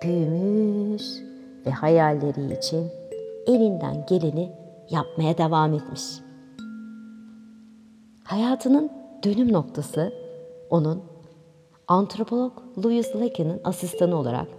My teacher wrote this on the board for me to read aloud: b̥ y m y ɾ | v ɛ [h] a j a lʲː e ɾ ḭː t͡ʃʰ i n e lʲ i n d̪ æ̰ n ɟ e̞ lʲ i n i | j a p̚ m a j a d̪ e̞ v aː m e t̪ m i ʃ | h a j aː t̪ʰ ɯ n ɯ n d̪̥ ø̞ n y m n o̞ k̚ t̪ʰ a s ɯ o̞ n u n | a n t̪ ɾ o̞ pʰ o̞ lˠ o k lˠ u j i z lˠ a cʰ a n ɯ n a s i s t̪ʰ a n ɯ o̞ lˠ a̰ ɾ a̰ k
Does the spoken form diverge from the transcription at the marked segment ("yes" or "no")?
no